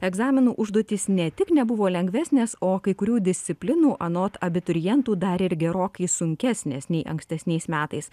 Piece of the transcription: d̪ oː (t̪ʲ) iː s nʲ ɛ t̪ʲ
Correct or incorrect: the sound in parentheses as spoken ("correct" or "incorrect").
correct